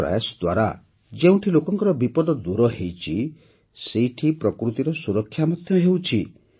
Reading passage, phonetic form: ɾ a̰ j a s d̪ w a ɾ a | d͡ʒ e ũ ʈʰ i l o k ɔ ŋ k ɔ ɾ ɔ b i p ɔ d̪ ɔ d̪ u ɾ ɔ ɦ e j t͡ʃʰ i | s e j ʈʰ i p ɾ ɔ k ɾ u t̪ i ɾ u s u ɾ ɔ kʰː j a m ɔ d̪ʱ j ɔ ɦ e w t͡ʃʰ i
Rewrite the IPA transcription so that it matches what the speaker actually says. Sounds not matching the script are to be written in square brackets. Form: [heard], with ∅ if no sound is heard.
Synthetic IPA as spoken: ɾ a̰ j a s d̪ w a ɾ a | d͡ʒ e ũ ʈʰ i l o k ɔ ŋ k ɔ ɾ ɔ b i p ɔ d̪ ɔ d̪ u ɾ ɔ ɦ e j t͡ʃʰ i | s e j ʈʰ i p ɾ ɔ k ɾ u t̪ i ɾ [ɔ] s u ɾ ɔ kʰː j a m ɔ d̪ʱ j ɔ ɦ e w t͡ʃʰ i